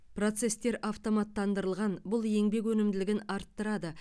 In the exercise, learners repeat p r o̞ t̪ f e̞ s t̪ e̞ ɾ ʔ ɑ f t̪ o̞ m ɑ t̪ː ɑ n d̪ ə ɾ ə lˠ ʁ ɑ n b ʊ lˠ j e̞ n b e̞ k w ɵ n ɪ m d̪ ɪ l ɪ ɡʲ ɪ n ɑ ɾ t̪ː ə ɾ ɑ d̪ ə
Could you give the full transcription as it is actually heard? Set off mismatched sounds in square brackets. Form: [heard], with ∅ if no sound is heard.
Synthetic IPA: p r o̞ t̪ [s] e̞ s t̪ e̞ ɾ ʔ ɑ f t̪ o̞ m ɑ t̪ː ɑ n d̪ ə ɾ ə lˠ ʁ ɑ n b ʊ lˠ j e̞ [ŋ] b e̞ k w ɵ n ɪ m d̪ ɪ l ɪ ɡʲ ɪ n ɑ ɾ t̪ː ə ɾ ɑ d̪ ə